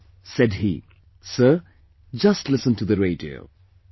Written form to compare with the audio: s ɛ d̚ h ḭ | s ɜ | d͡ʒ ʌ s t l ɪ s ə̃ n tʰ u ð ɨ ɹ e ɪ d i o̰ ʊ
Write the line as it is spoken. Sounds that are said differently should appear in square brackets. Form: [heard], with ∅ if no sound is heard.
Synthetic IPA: s ɛ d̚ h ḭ | s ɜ | d͡ʒ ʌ s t l ɪ s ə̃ n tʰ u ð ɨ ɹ e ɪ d i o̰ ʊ